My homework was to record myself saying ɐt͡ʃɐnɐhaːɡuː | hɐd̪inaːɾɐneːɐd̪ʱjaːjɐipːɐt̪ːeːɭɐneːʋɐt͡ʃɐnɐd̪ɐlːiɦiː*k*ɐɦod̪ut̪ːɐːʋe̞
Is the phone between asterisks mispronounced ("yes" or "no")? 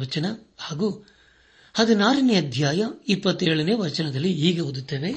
yes